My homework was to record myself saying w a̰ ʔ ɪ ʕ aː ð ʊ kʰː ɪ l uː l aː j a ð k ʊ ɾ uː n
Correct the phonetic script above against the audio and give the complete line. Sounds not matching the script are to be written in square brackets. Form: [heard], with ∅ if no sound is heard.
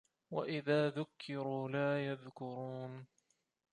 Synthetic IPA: w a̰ ʔ ɪ [ð] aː ð ʊ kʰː ɪ [ɾ] uː l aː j a ð k ʊ ɾ uː n

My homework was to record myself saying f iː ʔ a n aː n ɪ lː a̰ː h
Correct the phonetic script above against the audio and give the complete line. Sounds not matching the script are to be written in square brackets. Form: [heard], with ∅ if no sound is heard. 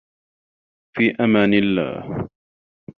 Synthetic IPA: f iː ʔ a [m] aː n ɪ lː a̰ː h

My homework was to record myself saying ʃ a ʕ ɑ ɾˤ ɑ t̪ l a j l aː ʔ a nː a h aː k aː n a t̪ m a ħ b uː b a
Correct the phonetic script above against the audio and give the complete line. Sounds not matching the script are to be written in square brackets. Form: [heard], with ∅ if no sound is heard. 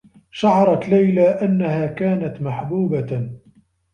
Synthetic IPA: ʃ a ʕ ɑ ɾˤ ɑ t̪ l a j l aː ʔ a nː a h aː k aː n a t̪ m a ħ b uː b a

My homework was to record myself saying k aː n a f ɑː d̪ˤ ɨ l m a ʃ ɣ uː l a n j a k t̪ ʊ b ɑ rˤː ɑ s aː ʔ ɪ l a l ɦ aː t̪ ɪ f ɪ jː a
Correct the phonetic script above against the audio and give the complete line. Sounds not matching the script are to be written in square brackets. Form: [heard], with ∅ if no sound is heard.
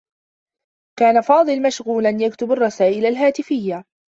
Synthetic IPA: k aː n a f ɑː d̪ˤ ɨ l m a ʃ ɣ uː l a n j a k t̪ ʊ b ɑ rˤː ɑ s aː ʔ ɪ l a l ɦ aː t̪ ɪ f ɪ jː a

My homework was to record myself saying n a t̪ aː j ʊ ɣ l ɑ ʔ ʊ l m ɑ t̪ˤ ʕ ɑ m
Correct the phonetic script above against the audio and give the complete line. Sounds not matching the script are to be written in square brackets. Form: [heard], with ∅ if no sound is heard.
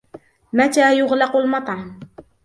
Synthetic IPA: [m] a t̪ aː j ʊ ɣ l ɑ [q] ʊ l m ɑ t̪ˤ ʕ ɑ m

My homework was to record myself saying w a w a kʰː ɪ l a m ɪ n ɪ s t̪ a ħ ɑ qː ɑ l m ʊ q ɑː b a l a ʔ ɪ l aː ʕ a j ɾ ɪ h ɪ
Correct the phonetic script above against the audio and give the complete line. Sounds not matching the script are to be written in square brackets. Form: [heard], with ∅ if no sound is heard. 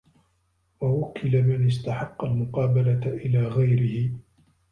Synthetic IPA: w a w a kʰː ɪ l a m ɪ n ɪ s t̪ a ħ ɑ qː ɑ l m ʊ q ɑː b a l a ʔ ɪ l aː [ɣ] a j ɾ ɪ h ɪ

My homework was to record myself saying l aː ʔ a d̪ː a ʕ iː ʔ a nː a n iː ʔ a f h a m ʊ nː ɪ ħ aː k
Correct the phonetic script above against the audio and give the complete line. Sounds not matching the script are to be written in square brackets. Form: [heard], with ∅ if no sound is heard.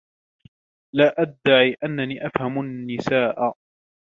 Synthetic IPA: l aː ʔ a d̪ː a ʕ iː ʔ a nː a n iː ʔ a f h a m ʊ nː ɪ [s] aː [ʔ]

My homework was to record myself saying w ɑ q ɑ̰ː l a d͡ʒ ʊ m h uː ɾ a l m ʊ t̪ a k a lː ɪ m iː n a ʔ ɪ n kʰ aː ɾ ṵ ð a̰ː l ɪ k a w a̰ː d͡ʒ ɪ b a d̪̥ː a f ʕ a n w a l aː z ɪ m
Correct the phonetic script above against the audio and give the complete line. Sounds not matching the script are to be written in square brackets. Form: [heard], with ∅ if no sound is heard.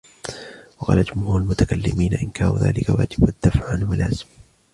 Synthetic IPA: w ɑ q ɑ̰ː l a d͡ʒ ʊ m h uː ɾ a l m ʊ t̪ a k a lː ɪ m iː n a ʔ ɪ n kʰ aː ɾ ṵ ð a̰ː l ɪ k a w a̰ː d͡ʒ ɪ b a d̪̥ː a f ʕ a n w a l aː z ɪ m

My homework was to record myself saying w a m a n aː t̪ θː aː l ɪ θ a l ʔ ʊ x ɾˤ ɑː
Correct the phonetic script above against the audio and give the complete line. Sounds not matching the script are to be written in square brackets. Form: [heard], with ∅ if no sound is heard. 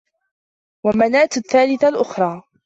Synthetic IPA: w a m a n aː t̪ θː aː l ɪ θ a l ʔ ʊ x ɾˤ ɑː

